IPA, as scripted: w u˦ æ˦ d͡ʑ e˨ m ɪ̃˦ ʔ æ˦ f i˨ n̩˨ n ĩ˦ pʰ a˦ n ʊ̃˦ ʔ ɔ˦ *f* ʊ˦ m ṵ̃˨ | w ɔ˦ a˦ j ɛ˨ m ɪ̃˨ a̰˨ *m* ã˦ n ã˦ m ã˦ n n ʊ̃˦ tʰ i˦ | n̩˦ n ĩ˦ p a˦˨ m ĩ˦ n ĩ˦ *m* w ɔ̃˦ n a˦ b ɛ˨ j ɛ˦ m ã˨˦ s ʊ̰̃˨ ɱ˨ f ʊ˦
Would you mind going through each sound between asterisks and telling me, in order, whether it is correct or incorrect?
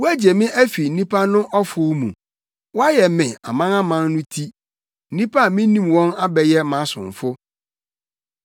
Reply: correct, correct, correct

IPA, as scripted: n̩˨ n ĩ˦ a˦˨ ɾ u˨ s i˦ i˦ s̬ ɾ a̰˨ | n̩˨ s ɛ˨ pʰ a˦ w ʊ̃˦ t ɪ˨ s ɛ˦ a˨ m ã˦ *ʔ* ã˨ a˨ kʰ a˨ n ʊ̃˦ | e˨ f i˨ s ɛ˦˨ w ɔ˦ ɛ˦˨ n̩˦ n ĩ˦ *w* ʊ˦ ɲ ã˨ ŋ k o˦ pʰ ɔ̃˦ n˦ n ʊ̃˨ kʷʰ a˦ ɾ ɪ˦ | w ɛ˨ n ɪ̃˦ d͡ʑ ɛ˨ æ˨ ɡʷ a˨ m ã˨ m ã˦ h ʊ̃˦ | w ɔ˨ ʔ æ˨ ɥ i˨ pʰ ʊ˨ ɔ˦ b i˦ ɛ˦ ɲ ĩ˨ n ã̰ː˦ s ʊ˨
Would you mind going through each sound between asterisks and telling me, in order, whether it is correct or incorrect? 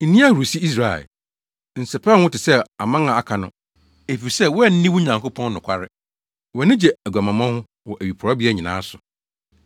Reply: incorrect: none, correct

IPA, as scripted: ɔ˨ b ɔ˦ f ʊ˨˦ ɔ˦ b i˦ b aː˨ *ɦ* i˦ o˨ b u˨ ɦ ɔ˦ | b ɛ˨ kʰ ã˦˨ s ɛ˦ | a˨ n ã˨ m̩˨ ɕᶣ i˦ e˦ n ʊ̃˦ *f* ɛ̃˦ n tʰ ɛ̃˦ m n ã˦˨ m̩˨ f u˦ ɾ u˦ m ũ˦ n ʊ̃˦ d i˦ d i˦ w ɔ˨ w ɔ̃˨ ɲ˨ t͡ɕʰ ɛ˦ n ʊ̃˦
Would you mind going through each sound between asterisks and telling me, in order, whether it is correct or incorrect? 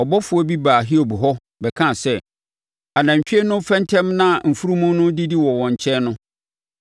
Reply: correct, correct

